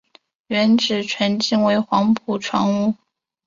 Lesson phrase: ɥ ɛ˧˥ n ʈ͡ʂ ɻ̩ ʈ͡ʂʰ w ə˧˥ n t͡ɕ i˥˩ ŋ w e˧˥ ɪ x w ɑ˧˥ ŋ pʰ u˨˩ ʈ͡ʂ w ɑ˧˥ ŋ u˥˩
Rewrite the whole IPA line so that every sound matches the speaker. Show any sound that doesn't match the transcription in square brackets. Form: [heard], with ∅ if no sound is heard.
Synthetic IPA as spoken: ɥ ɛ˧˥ n ʈ͡ʂ ɻ̩ ʈ͡ʂʰ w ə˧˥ n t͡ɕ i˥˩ ŋ w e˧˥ ɪ x w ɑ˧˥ ŋ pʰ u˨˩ [ʈ͡ʂʰ] w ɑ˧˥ ŋ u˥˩